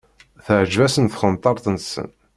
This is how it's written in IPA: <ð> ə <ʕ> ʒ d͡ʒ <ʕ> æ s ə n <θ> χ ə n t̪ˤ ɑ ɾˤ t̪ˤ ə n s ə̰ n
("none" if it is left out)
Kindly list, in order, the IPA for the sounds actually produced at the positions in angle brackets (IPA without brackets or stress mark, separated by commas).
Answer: θ, ʕ, v, θ